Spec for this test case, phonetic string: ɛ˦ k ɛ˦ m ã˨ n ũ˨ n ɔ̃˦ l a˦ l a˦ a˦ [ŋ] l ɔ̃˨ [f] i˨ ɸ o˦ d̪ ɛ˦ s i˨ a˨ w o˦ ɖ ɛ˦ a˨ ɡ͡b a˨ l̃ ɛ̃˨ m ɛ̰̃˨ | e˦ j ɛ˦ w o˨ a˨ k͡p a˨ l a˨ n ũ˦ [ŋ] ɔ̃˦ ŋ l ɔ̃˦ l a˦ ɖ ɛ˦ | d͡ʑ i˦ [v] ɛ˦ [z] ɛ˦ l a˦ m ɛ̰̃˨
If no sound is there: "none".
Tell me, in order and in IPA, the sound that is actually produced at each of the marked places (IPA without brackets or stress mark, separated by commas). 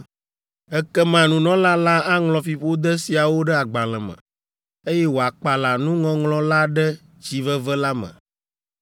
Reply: ŋ, f, ŋ, v, v